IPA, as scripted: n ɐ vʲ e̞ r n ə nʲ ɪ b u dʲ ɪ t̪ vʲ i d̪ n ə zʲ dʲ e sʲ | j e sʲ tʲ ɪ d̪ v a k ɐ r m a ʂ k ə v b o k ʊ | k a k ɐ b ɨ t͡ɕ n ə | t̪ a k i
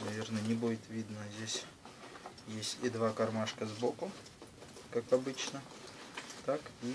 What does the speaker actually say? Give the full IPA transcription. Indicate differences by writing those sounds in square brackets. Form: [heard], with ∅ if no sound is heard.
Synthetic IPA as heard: n ɐ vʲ e̞ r n ə nʲ ɪ b u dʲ ɪ t̪ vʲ i d̪ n ə zʲ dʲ e sʲ | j e sʲ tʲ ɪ d̪ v a k ɐ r m a ʂ k ə [z] b o k ʊ | k a k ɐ b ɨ t͡ɕ n ə | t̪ a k i